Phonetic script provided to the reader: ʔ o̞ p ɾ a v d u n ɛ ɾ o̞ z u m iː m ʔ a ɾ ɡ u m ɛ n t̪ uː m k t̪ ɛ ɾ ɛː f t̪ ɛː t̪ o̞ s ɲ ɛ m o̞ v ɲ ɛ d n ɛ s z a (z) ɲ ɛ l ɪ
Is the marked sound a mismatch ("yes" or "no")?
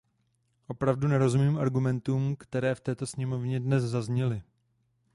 no